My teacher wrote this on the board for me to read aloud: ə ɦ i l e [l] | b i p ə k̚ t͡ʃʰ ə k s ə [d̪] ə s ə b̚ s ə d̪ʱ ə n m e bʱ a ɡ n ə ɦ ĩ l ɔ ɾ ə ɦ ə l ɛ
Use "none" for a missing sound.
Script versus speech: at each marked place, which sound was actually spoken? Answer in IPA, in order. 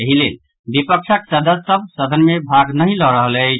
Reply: l, d̪

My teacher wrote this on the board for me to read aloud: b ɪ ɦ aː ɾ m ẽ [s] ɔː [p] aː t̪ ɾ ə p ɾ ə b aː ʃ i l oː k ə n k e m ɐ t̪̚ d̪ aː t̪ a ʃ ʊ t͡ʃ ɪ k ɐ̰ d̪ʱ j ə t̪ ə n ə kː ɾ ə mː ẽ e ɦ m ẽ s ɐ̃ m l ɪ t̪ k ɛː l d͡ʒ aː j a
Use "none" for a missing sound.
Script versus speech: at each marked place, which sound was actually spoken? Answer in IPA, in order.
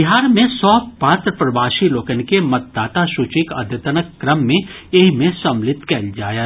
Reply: s, p

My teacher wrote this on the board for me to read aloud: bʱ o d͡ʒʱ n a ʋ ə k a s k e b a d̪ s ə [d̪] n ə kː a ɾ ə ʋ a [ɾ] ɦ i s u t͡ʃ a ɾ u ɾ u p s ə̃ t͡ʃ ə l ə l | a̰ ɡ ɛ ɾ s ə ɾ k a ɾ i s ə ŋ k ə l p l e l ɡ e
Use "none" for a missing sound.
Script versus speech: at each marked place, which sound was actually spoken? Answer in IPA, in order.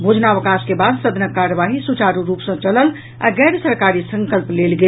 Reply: d̪, none

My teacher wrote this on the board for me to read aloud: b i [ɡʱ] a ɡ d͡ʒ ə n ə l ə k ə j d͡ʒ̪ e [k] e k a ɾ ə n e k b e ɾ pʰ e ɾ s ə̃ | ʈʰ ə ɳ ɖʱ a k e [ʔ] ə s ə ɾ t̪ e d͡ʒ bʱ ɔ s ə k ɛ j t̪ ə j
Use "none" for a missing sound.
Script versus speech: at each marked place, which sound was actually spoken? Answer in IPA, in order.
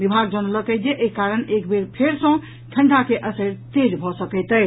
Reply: bʱ, ʔ, ʔ

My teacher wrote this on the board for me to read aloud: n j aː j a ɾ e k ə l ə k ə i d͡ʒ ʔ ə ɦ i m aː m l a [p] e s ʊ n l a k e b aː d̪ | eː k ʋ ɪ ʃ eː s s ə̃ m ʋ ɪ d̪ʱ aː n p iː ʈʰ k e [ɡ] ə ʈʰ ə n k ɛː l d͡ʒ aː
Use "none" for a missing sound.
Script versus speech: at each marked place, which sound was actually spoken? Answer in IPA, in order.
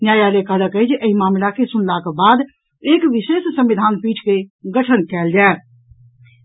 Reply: k, ɡ

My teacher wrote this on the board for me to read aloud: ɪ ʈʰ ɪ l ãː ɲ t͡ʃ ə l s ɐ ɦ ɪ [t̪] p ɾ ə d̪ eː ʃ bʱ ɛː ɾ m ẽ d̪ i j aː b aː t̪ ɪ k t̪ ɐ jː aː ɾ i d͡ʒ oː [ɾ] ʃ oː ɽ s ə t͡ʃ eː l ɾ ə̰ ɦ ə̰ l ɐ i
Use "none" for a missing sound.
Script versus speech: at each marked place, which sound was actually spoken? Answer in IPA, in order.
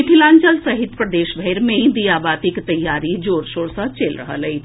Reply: t̪, ɾ

